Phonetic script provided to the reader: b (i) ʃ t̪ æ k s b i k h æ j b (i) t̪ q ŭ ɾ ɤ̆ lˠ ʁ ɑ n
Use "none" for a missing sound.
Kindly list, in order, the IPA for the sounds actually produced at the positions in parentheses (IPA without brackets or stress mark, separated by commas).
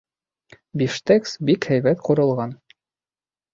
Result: i, æ